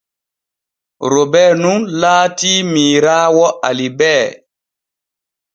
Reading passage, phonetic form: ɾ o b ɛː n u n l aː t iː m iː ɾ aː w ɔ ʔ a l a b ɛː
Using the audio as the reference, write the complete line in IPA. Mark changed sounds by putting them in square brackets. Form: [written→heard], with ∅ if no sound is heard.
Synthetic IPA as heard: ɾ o b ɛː n u n l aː t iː m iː ɾ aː w ɔ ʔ a l [a→i] b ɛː